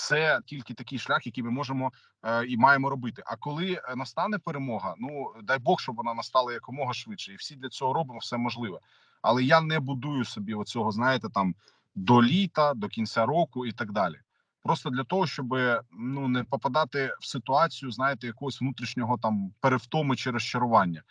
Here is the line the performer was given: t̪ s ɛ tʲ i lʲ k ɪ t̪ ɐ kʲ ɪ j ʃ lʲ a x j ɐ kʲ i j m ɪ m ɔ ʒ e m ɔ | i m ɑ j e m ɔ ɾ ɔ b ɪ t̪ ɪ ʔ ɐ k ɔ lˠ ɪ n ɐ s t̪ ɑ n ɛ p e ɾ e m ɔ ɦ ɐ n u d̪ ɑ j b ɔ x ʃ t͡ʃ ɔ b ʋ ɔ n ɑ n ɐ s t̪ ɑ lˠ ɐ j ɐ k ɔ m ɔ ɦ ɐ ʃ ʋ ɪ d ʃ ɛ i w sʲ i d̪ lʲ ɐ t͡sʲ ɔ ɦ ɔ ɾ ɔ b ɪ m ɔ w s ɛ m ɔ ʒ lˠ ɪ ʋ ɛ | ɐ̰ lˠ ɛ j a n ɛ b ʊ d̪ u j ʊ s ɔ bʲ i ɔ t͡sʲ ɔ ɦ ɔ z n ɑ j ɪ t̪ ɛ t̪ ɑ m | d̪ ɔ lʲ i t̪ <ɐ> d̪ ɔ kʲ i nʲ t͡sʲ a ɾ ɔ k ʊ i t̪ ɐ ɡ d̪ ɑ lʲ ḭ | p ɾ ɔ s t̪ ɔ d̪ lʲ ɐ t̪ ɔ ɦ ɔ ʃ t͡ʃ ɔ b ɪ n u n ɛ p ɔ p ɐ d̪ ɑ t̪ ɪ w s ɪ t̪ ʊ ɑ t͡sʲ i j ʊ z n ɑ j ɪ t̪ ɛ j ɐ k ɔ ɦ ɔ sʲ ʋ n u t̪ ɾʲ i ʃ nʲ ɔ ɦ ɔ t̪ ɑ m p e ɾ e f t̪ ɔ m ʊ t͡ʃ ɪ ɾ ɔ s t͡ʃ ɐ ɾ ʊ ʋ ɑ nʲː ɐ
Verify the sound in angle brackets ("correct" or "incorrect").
correct